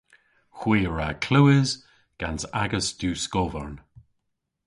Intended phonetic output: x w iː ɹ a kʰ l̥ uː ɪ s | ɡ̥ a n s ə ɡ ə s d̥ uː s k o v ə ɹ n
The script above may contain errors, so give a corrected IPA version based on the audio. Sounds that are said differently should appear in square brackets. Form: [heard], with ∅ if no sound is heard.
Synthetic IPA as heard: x w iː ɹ a kʰ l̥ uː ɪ [z] | ɡ̥ a n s [a] ɡ ə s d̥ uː s k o v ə ɹ n